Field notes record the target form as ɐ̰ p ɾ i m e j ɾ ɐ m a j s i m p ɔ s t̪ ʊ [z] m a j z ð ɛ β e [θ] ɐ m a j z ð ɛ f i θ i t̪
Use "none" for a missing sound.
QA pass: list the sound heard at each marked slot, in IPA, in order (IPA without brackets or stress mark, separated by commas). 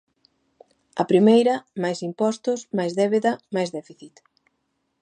s, ð